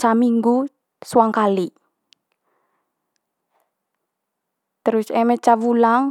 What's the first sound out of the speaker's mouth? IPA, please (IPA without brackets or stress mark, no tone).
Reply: t͡ʃ